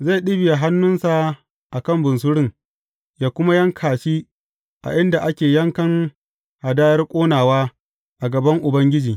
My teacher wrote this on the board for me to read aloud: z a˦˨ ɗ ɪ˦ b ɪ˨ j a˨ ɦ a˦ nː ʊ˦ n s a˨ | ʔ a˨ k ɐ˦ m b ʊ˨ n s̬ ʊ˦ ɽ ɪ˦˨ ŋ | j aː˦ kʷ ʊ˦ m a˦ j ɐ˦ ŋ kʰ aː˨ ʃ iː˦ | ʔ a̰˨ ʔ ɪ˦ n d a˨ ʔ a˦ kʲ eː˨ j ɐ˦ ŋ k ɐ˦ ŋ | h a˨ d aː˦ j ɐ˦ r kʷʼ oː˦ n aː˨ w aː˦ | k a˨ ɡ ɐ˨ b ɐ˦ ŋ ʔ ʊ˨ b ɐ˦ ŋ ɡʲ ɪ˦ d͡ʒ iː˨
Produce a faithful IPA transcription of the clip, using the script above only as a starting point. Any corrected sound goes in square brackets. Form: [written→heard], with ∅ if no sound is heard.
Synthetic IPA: z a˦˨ ɗ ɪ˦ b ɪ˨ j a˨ ɦ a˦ nː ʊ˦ n s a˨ | ʔ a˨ k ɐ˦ m b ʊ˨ n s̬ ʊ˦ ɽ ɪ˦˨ ŋ | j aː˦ kʷ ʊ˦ m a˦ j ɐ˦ ŋ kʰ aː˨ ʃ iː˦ | ʔ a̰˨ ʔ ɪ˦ n d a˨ ʔ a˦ kʲ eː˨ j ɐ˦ ŋ k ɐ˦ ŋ | h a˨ d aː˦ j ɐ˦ r kʷʼ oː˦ n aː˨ w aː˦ | [k→ʔ] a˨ ɡ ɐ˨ b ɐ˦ ŋ ʔ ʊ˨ b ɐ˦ ŋ ɡʲ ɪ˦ d͡ʒ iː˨